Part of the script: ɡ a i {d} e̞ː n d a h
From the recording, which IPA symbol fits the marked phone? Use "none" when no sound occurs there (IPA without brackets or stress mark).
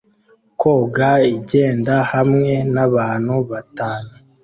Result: ɟ